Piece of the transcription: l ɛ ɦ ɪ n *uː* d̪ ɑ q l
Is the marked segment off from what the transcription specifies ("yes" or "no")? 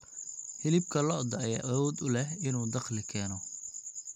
no